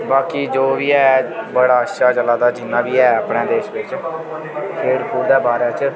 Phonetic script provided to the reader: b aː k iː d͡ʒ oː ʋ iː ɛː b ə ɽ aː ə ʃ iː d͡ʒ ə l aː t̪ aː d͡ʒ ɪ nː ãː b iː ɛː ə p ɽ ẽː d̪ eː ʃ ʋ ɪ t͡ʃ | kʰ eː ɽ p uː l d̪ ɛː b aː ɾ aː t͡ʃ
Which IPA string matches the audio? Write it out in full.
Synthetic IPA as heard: b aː k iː d͡ʒ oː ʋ iː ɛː b ə ɽ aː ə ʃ aː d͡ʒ ə l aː d̪ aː d͡ʒ ɪ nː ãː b iː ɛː ə p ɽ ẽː d̪ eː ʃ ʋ ɪ t͡ʃ | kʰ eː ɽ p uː ɾ d̪ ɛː b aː ɾ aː t͡ʃ